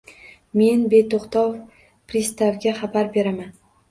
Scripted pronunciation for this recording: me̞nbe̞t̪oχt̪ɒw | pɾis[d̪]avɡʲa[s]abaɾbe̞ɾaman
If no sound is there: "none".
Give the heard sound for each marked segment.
t̪, χ

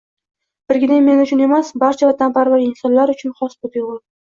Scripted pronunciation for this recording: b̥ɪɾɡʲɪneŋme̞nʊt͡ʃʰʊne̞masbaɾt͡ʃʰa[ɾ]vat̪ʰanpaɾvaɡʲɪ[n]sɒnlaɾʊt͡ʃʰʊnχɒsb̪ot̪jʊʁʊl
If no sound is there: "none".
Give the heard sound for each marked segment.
none, n

